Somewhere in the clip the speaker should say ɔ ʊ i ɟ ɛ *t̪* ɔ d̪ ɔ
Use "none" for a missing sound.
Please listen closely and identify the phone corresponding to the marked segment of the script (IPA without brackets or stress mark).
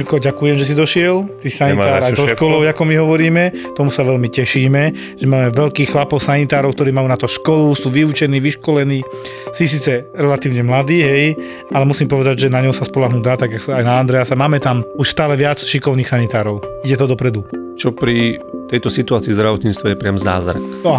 t̪